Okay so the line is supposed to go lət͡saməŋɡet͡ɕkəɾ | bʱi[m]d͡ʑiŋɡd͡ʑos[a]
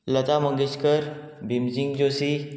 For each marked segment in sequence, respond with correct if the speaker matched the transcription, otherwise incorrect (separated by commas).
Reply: correct, incorrect